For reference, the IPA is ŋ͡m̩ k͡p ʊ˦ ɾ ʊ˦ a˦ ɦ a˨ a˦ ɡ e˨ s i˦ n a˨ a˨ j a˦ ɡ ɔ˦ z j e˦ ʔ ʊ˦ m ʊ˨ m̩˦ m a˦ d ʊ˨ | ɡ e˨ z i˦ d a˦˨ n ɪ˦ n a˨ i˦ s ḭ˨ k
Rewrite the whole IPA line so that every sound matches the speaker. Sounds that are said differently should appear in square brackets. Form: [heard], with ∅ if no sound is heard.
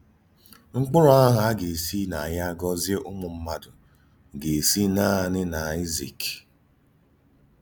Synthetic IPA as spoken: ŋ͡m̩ k͡p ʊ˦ ɾ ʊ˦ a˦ ɦ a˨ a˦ ɡ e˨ s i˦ n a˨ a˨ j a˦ ɡ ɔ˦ z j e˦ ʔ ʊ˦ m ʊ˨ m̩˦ m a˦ d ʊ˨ | ɡ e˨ [s] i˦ [n] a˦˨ n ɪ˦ n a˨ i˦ [z] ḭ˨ k